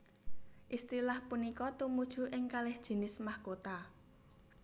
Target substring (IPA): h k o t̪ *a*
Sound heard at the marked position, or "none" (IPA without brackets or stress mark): a